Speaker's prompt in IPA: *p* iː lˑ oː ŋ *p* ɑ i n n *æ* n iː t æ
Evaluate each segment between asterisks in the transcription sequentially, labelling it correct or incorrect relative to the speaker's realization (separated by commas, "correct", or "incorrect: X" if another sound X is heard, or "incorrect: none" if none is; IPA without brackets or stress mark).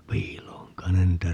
correct, incorrect: k, incorrect: e